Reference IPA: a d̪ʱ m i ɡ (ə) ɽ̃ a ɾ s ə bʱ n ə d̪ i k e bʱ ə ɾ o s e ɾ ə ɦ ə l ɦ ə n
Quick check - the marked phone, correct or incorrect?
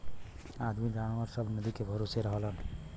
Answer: incorrect